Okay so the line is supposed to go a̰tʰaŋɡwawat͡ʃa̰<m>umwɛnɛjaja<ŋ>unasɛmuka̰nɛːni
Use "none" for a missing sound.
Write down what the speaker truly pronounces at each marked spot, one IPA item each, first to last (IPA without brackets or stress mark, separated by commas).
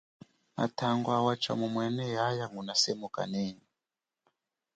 m, ŋ